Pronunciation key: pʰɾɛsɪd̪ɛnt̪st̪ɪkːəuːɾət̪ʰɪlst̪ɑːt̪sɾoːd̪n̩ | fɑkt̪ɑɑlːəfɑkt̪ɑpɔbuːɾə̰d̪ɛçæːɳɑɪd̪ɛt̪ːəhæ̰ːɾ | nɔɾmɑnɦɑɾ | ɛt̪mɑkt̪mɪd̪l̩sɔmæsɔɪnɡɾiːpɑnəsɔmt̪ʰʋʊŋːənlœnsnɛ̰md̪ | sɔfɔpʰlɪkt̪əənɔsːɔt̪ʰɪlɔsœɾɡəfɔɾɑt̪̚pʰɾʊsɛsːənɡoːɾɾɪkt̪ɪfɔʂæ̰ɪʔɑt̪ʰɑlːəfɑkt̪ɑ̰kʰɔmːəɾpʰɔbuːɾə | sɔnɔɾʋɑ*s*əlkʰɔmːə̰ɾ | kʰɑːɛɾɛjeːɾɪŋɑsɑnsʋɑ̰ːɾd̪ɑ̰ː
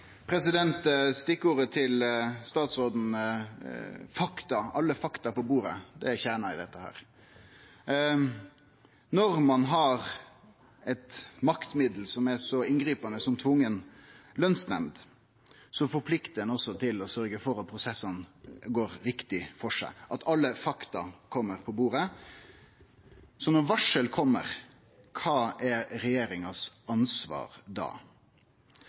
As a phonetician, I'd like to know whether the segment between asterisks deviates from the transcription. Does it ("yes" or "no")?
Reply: yes